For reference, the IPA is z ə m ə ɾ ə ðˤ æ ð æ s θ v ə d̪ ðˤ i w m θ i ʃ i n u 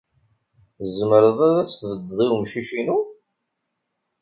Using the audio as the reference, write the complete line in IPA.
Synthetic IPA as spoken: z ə m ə ɾ ə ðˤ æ ð æ s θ v ə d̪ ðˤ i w m ʃ i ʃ i n u